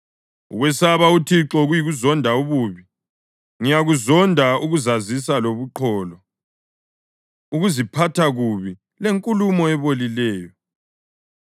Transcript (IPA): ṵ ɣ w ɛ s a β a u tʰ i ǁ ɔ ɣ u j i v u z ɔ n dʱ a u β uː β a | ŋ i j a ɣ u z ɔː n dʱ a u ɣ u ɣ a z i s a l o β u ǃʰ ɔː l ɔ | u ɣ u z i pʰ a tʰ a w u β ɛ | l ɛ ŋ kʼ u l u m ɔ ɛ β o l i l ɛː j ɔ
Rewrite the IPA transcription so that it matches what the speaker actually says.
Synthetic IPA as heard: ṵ ɣ w ɛ s a β a u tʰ i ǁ ɔ ɣ u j i ɣ u z ɔ n dʱ a u β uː β i | ŋ i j a ɣ u z ɔ n dʱ a u ɣ u z a z i s a l o β u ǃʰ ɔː l ɔ | u ɣ u z i pʰ a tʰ a ɣ u β i | l e ŋ kʼ u l u m ɔ ɛ β o l i l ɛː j ɔ